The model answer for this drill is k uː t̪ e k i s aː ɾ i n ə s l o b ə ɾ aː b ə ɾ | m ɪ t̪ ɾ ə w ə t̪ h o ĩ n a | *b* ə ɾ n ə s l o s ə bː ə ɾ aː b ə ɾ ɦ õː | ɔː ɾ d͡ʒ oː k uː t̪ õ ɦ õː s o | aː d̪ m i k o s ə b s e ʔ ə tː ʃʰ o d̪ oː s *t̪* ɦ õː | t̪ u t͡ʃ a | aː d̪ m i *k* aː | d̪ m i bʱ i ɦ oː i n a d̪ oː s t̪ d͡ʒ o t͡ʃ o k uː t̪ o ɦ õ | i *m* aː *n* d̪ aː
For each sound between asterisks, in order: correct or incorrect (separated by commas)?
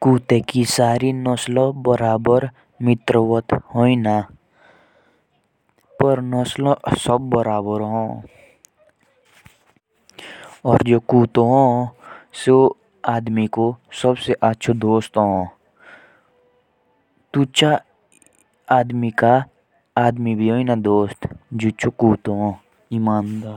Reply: incorrect, correct, correct, correct, correct